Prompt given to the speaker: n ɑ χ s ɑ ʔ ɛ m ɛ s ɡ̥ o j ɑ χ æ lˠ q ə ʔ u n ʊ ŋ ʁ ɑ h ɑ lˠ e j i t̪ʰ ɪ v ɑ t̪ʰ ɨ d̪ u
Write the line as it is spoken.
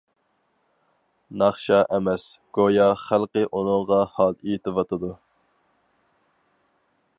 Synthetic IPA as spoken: n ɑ χ ʃ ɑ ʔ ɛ m ɛ s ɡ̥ o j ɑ χ æ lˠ q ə ʔ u n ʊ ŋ ʁ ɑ h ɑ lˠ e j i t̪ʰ ɪ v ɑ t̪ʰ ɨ d̪ u

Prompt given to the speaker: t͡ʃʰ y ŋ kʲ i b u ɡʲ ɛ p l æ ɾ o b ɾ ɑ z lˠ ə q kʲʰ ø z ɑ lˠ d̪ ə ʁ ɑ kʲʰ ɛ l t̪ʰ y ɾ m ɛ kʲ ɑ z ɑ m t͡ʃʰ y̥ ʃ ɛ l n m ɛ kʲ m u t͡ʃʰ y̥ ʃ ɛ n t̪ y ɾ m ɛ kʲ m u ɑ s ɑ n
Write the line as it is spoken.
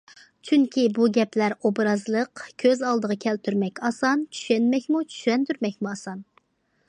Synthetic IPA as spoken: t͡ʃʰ y ŋ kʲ i b u ɡʲ ɛ p l æ ɾ o b ɾ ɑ z lˠ ə q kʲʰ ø z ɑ lˠ d̪ ə ʁ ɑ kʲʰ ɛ l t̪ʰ y ɾ m ɛ kʲ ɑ s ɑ n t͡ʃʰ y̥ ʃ ɛ n m ɛ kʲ m u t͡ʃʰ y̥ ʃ ɛ n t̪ y ɾ m ɛ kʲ m u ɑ s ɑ n

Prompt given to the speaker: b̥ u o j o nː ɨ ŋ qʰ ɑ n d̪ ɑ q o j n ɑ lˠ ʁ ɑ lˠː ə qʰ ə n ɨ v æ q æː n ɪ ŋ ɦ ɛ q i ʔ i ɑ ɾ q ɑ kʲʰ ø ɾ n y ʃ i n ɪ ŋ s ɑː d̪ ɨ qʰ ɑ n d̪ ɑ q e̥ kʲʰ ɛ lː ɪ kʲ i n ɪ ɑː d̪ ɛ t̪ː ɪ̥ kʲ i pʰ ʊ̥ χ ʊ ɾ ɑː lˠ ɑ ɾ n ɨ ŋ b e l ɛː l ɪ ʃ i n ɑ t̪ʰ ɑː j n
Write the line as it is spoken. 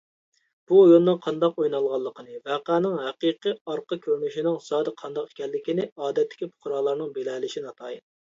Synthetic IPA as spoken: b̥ u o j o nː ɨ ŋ qʰ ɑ n d̪ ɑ q o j n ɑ lˠ ʁ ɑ lˠː ə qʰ ə n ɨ v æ q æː n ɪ ŋ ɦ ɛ q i q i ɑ ɾ q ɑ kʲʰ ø ɾ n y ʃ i n ɪ ŋ s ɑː d̪ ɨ qʰ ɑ n d̪ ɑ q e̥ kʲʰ ɛ lː ɪ kʲ i n ɪ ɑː d̪ ɛ t̪ː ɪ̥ kʲ i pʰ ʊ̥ χ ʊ ɾ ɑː lˠ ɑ ɾ n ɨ ŋ b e l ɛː l ɪ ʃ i n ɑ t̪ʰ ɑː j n

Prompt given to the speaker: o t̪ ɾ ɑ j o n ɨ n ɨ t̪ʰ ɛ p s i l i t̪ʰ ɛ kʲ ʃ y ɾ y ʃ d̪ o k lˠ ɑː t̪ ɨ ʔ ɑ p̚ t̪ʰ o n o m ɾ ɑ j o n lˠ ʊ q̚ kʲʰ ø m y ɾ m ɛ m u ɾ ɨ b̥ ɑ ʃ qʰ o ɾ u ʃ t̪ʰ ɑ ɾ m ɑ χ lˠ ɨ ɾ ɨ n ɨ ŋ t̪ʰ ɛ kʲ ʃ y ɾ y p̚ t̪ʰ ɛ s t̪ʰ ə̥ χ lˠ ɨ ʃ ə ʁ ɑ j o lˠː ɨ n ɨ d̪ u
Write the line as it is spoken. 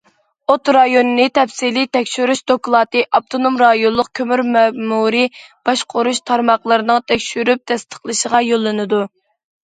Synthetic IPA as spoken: o t̪ ɾ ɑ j o n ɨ n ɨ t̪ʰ ɛ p s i l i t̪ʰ ɛ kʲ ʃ y ɾ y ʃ d̪ o k lˠ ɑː t̪ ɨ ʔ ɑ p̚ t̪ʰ o n o m ɾ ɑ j o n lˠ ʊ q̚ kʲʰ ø m y ɾ m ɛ m u ɾ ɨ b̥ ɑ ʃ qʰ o ɾ u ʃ t̪ʰ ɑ ɾ m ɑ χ lˠ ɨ ɾ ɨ n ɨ ŋ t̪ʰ ɛ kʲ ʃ y ɾ y p̚ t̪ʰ ɛ s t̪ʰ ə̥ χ lˠ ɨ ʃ ə ʁ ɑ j o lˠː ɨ n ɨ d̪ u

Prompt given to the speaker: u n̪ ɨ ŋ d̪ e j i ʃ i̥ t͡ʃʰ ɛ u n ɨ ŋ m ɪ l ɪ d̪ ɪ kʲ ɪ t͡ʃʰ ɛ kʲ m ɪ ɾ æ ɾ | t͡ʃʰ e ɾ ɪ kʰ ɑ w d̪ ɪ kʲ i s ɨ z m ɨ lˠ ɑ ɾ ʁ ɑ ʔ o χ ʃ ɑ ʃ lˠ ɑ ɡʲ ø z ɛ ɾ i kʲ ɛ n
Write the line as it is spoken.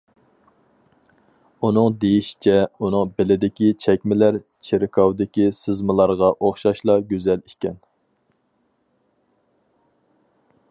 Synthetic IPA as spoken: u n̪ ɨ ŋ d̪ e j i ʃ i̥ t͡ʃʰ ɛ u n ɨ ŋ b ɪ l ɪ d̪ ɪ kʲ i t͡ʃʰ ɛ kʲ m ɪ l æ ɾ | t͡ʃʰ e ɾ ɪ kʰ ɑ w d̪ ɪ kʲ i s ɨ z m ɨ lˠ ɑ ɾ ʁ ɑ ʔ o χ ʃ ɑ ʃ lˠ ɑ ɡʲ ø z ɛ l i kʲ ɛ n

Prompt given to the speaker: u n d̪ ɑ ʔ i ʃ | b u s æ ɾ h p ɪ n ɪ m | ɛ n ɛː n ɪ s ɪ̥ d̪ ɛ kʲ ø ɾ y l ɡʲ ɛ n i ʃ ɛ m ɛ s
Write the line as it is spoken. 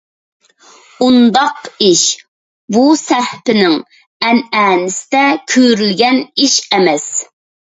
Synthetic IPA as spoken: u n d̪ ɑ q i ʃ | b u s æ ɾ h p ɪ n ɪ ŋ | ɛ n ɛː n ɪ s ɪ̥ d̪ ɛ kʲʰ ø ɾ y l ɡʲ ɛ n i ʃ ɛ m ɛ s

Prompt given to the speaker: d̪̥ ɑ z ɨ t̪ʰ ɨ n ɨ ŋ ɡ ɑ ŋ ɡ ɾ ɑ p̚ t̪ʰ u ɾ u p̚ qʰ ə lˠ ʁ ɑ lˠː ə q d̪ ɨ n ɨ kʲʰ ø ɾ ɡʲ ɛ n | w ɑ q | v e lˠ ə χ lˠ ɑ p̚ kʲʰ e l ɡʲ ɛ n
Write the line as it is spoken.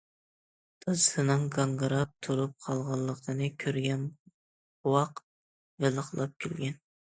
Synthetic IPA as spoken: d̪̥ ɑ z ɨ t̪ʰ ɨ n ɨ ŋ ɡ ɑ ŋ ɡ ɾ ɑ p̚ t̪ʰ u ɾ u p̚ qʰ ɑ lˠ ʁ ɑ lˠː ə q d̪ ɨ n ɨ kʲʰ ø ɾ ɡʲ ɛ n | w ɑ q | v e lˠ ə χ lˠ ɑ p̚ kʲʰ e l ɡʲ ɛ n

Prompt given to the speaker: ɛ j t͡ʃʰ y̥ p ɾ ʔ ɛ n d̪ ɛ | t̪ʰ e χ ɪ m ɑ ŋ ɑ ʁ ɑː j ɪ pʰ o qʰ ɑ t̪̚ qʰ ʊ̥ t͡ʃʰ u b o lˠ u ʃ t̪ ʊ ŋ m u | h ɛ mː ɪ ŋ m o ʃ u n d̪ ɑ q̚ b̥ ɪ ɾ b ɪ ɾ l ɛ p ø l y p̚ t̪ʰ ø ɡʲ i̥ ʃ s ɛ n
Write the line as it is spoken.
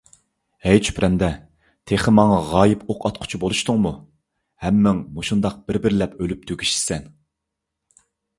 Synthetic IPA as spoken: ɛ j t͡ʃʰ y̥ p ɾ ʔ ɛ n d̪ ɛ | t̪ʰ e χ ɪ m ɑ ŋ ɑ ʁ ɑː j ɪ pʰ o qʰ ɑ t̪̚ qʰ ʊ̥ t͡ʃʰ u b o lˠ u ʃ t̪ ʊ ŋ m u | h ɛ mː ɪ ŋ m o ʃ u n d̪ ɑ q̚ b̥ ɪ ɾ b ɪ ɾ l ɛ p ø l y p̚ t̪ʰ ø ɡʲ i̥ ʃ s ɛ n

